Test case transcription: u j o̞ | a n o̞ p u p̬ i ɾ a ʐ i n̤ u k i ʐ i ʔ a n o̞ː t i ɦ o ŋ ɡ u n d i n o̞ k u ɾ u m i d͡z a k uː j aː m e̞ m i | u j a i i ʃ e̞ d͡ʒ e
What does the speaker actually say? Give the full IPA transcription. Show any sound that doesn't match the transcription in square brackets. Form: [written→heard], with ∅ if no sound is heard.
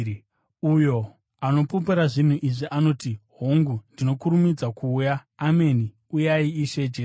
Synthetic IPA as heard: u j o̞ | a n o̞ p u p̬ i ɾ a ʐ i n̤ u [k→ʔ] i ʐ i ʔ a n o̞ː t i ɦ o ŋ ɡ u n d i n o̞ k u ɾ u m i d͡z a k uː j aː m e̞ [m→n] i | u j a i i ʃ e̞ d͡ʒ e